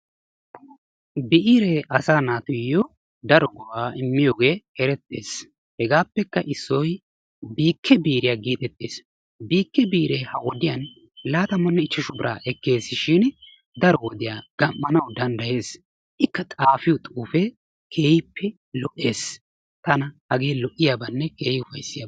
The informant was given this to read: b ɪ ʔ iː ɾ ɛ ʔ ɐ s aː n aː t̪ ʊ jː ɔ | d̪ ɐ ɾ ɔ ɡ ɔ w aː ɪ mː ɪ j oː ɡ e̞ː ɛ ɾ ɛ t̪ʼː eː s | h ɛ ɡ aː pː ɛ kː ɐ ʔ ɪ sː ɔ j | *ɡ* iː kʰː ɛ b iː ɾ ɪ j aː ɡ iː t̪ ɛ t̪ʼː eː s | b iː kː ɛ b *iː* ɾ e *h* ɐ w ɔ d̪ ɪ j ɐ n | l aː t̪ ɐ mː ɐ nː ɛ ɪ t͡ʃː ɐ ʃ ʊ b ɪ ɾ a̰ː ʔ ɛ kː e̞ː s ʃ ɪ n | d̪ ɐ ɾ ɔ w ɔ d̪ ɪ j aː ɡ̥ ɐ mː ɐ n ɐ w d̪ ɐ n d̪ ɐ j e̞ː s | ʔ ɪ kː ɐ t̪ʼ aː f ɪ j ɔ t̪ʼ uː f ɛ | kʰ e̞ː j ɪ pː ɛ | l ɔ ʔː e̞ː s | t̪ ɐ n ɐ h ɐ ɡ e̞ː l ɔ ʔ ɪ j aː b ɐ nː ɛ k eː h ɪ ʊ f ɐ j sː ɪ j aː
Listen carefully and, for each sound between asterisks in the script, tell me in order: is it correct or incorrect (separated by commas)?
incorrect, correct, correct